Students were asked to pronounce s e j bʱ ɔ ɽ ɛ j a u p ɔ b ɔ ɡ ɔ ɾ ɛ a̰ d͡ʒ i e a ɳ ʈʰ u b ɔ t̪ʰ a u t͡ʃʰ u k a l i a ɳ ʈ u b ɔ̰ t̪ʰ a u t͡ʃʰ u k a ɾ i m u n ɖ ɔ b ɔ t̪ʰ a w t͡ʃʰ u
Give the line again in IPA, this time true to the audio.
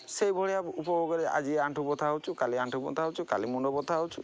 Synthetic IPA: s e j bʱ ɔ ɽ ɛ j a u p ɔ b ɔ ɡ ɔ ɾ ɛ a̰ d͡ʒ i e a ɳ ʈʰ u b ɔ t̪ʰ a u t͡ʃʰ u k a l i a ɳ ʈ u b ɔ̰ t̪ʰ a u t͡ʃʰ u k a l i m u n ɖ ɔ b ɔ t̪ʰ a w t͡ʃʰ u